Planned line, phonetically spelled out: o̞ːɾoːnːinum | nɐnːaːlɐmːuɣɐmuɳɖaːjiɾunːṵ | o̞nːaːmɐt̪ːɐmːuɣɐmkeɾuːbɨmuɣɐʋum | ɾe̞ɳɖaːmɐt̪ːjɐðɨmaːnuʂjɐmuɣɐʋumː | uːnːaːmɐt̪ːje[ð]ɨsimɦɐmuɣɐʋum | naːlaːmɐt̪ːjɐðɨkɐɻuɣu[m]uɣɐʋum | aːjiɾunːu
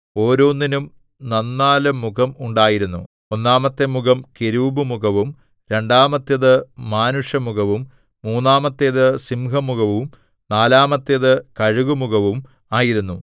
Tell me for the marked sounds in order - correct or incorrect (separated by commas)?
correct, correct